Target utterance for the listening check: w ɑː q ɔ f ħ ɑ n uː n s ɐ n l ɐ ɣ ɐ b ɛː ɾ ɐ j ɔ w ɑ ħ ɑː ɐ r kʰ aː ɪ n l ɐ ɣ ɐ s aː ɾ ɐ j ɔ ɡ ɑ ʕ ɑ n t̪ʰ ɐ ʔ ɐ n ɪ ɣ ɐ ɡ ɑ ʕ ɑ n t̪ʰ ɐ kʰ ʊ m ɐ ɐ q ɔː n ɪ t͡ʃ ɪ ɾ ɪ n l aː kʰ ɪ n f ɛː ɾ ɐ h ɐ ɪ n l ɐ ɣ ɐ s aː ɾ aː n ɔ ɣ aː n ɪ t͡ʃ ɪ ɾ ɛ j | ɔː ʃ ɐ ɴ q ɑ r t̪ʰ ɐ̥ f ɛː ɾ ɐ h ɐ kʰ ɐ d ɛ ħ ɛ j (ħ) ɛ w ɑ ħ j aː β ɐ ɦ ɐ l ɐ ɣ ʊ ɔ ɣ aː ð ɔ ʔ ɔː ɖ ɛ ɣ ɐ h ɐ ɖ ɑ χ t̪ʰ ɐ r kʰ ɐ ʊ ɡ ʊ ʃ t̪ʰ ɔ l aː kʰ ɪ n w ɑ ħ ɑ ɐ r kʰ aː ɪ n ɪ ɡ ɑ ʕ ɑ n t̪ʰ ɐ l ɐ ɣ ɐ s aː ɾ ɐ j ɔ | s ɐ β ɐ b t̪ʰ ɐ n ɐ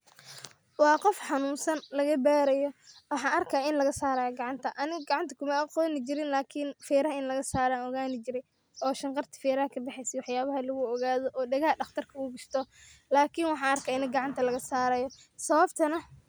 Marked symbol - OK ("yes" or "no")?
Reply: no